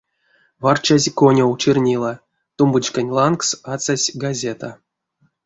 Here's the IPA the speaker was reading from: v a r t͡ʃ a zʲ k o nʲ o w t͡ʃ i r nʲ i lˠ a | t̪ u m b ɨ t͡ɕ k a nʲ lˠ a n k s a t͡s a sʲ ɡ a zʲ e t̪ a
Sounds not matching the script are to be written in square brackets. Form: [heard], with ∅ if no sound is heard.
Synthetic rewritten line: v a r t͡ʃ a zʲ k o nʲ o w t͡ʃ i r nʲ i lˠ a | t̪ u m b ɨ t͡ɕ k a nʲ lˠ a n k s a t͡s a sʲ ɡ a zʲ e t̪ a